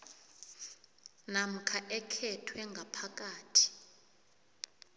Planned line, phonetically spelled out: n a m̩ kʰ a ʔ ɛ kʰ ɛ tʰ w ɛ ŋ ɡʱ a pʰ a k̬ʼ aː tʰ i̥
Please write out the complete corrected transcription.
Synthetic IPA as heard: n a m̩ kʰ a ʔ ɛ kʰ ɛ tʰ w ɛ ŋ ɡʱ a pʰ a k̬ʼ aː tʰ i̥